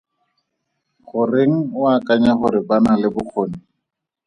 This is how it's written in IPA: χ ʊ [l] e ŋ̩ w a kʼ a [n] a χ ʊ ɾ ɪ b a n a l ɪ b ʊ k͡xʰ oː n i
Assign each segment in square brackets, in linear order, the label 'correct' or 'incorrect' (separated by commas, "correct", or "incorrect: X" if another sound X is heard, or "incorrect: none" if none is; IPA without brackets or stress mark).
incorrect: r, incorrect: ɲ